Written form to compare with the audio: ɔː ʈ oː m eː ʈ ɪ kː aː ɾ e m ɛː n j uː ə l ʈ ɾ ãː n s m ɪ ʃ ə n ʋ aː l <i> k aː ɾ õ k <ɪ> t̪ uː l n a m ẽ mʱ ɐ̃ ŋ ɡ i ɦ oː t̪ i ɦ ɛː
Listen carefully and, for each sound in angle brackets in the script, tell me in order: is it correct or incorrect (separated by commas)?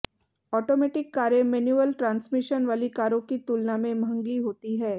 correct, incorrect